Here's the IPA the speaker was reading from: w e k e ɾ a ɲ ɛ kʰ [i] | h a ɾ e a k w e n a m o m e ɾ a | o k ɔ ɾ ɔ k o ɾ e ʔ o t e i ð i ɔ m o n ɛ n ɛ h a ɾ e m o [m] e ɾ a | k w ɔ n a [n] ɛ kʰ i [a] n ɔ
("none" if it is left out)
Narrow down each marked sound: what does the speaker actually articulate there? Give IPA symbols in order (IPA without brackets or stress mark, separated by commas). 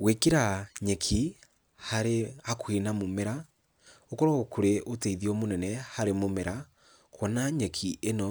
i, m, ɲ, e